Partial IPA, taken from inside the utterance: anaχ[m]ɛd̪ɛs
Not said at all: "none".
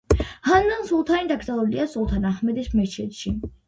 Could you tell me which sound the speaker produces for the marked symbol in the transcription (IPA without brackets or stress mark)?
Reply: m